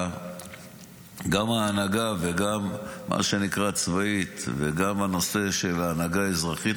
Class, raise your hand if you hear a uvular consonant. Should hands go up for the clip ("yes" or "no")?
yes